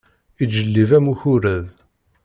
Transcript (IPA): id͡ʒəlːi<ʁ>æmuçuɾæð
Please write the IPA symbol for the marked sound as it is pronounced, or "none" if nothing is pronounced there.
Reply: v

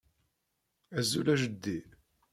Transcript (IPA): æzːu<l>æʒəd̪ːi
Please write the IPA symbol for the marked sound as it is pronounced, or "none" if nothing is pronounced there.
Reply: l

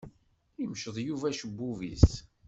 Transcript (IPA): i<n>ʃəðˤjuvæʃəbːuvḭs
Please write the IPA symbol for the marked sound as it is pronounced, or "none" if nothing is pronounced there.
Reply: m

